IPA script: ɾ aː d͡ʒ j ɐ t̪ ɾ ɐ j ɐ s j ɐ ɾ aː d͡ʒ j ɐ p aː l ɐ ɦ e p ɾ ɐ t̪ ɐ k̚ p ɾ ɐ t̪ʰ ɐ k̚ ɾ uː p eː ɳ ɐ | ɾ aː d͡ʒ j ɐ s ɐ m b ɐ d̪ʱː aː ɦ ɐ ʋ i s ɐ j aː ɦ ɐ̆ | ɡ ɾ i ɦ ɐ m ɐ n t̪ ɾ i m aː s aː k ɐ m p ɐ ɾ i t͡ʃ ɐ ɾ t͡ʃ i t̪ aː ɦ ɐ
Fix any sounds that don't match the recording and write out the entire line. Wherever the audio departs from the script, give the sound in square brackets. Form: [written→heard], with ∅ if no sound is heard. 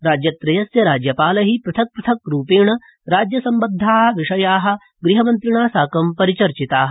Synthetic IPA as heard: ɾ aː d͡ʒ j ɐ t̪ ɾ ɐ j ɐ s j ɐ ɾ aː d͡ʒ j ɐ p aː l ɐ ɦ [e→i] p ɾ ɐ [t̪→t̪ʰ] ɐ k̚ p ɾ ɐ t̪ʰ ɐ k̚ ɾ uː p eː ɳ ɐ | ɾ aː d͡ʒ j ɐ s ɐ m b ɐ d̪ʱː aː ɦ ɐ ʋ i [s→ʂ] ɐ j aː ɦ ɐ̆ | ɡ ɾ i ɦ ɐ m ɐ n t̪ ɾ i [m→ɳ] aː s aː k ɐ m p ɐ ɾ i t͡ʃ ɐ ɾ t͡ʃ i t̪ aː ɦ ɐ